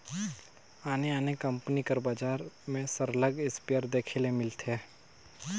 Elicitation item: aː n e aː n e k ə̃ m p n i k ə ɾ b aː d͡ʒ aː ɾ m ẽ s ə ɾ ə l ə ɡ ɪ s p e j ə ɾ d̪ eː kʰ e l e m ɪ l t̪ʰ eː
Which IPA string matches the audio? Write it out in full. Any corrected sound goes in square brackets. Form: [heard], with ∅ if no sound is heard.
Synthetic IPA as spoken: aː n e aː n e k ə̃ m p n i k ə ɾ b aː d͡ʒ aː ɾ m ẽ s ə ɾ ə l ə ɡ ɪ s p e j ə ɾ d̪ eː kʰ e l e m ɪ l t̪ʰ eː

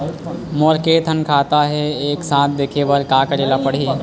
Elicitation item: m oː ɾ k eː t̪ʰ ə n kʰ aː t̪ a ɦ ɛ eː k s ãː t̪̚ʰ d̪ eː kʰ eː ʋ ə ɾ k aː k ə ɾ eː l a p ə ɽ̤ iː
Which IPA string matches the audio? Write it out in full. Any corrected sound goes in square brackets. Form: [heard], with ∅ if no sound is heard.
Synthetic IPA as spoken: m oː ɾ k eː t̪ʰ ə n kʰ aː t̪ a ɦ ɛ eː k s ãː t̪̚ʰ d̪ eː kʰ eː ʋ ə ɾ k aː k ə ɾ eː l a p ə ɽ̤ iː

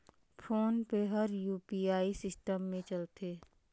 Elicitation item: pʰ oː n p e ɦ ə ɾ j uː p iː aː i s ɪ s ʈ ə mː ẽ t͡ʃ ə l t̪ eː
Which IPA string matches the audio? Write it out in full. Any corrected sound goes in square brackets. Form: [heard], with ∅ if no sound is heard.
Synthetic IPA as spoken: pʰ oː n p e ɦ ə ɾ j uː p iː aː i s ɪ s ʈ ə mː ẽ t͡ʃ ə l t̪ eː

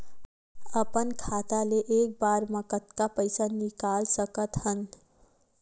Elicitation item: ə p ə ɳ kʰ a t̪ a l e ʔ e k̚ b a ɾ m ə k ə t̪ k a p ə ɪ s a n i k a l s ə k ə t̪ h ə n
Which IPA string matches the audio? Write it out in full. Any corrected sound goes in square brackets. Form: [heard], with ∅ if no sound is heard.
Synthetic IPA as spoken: ə p ə [n] kʰ a t̪ a l e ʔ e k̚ b a ɾ m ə k ə t̪ k a p ə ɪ s a n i k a l s ə k ə t̪ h ə n

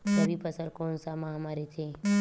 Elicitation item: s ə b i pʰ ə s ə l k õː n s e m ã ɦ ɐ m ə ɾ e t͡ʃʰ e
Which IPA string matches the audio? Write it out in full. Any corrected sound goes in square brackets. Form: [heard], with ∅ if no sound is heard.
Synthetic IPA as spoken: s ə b i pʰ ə s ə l k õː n s [a] m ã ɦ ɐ m [a] ɾ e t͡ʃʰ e

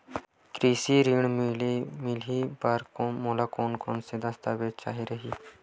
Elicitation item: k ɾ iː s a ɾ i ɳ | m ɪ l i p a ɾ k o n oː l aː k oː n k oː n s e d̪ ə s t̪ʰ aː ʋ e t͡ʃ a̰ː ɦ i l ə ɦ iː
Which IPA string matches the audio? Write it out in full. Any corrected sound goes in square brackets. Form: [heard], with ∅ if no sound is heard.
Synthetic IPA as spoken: k ɾ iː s [i] ɾ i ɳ | m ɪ l i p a ɾ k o [m] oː l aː k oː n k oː n s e d̪ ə s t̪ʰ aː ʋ e t͡ʃ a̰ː ɦ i [ɾ] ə ɦ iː

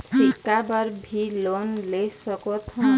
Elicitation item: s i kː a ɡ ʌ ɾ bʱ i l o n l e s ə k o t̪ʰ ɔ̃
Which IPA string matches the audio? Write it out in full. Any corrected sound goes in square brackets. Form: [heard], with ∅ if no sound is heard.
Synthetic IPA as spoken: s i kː a [b] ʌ ɾ bʱ i l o n l e s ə k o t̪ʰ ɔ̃

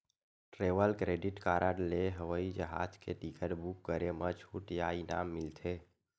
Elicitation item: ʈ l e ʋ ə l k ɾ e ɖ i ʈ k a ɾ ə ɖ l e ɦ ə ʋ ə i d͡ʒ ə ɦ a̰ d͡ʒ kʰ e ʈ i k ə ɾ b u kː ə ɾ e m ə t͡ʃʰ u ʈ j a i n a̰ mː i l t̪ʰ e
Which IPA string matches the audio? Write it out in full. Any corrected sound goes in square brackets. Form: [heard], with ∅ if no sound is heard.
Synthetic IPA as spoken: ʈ [ɾ] e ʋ ə l k ɾ e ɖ i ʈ k a ɾ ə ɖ l e ɦ ə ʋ ə i d͡ʒ ə ɦ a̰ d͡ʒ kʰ e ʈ i k ə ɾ b u kː ə ɾ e m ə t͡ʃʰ u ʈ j a i n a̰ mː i l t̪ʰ e

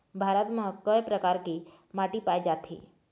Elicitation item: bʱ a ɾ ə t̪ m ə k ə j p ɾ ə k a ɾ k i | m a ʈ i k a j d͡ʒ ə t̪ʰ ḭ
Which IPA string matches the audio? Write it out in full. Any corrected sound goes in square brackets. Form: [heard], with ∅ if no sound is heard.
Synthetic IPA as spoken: bʱ a ɾ ə t̪ m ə k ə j p ɾ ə k a ɾ k i | m a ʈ i [p] a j d͡ʒ [a] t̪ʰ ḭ

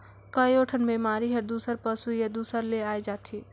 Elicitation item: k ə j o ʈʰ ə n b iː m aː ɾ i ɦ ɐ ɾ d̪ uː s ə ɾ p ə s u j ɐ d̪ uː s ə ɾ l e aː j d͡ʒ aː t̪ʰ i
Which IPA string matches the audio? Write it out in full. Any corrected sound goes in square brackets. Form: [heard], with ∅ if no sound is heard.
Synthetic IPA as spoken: k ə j o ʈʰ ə n b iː m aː ɾ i ɦ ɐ ɾ d̪ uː s ə ɾ p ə s u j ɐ d̪ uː s ə ɾ l e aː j d͡ʒ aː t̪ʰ i

